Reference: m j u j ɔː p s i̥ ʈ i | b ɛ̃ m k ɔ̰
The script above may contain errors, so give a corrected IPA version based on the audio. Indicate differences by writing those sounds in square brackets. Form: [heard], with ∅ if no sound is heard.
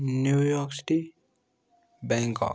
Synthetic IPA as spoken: [n] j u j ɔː [k] s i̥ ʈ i | b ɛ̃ [ŋ] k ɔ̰